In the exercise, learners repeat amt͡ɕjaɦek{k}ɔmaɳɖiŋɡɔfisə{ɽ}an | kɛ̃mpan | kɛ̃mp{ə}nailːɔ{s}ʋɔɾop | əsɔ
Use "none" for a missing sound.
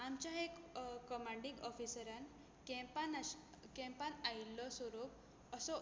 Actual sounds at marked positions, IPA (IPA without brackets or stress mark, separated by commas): k, ɾ, a, s